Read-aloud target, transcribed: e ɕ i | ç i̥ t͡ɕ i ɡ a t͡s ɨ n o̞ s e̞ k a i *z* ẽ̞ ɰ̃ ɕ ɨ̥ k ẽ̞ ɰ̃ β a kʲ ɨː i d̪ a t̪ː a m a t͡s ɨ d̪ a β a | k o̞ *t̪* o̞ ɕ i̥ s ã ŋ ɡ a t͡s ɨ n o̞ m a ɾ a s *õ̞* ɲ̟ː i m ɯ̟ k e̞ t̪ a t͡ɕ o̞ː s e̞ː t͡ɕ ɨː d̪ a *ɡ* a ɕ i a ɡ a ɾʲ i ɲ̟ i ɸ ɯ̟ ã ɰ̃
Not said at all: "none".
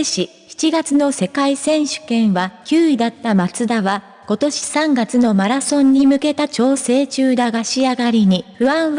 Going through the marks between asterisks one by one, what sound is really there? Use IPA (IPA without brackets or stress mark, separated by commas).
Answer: s, t̪, õ̞, ɡ